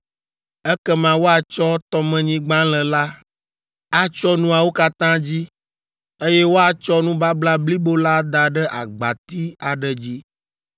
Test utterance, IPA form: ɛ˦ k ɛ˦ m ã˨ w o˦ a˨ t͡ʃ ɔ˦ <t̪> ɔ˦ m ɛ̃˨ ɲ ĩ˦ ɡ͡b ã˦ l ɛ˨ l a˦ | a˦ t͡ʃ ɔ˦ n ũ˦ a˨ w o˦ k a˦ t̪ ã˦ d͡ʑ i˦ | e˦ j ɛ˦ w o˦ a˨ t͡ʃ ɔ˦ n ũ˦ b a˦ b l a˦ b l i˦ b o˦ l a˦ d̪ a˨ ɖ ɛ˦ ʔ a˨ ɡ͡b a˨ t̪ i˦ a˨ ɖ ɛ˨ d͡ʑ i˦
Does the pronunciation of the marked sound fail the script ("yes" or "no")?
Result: no